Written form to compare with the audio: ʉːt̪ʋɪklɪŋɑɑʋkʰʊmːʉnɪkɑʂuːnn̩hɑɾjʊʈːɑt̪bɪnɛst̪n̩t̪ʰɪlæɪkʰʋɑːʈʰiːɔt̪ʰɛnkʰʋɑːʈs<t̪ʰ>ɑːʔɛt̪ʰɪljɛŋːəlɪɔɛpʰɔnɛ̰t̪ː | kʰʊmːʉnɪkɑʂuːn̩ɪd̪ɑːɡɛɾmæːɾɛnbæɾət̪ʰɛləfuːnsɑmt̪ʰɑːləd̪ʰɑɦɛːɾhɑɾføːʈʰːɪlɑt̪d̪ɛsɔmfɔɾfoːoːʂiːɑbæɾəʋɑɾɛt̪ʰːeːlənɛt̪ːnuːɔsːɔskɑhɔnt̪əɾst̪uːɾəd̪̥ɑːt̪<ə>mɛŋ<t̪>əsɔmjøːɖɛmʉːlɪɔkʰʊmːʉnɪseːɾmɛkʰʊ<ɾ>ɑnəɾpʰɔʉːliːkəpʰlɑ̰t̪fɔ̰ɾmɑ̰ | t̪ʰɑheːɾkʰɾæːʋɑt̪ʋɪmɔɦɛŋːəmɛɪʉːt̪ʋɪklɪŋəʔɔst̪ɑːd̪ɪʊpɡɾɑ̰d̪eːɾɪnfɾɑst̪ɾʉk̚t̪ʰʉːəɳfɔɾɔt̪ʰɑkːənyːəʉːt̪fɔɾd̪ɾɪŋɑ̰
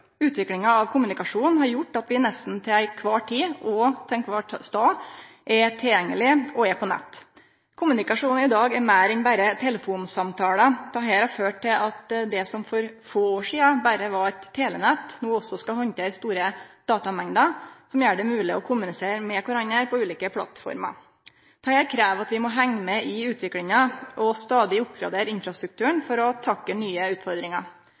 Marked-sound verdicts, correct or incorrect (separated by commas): incorrect, incorrect, incorrect, correct